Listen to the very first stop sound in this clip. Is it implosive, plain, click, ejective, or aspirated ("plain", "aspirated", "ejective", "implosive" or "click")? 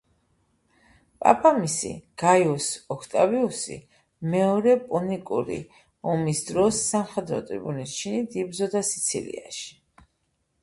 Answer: ejective